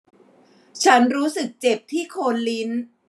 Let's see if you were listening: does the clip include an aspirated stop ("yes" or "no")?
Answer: yes